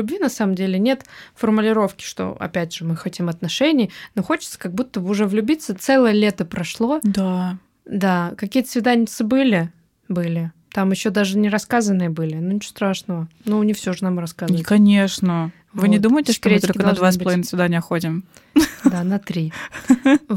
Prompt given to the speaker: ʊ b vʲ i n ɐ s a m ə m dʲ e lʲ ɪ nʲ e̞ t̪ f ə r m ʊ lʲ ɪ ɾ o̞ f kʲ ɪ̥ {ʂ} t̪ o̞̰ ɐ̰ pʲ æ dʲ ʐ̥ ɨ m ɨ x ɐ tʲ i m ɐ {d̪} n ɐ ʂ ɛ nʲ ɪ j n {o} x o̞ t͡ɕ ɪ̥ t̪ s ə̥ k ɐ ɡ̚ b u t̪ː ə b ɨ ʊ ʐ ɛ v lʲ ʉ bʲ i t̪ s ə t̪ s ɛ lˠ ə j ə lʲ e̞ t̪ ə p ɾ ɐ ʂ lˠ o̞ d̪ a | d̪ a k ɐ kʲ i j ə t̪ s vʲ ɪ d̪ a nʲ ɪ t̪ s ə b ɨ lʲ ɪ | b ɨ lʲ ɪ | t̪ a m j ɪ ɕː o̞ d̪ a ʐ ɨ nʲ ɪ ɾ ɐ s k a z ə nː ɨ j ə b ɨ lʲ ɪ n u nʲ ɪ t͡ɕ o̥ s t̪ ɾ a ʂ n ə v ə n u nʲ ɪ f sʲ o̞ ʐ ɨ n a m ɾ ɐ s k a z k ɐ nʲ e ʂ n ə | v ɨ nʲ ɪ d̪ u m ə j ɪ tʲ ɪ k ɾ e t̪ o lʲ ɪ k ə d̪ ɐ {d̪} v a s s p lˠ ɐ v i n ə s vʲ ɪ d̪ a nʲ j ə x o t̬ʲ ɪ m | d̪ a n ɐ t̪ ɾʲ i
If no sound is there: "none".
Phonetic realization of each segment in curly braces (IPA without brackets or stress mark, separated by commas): ʂ, t̪, o, d̪